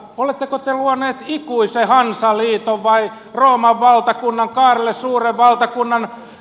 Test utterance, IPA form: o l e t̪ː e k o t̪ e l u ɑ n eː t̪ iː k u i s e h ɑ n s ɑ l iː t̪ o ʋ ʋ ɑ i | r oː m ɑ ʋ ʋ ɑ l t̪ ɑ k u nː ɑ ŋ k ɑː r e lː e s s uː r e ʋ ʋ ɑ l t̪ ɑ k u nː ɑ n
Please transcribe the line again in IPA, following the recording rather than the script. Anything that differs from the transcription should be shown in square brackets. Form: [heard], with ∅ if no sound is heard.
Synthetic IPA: o l e t̪ː e k o t̪ e l u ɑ n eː t̪ [i] k u i s e h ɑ n s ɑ l iː t̪ o ʋ ʋ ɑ i | r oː m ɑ ʋ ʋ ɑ l t̪ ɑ k u nː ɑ ŋ k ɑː r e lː e s s uː r e ʋ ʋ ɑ l t̪ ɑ k u nː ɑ n